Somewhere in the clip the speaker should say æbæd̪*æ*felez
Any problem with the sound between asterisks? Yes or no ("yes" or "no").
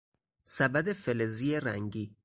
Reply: yes